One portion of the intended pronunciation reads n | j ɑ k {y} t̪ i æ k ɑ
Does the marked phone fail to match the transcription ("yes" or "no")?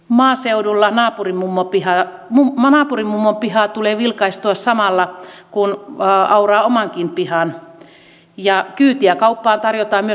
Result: yes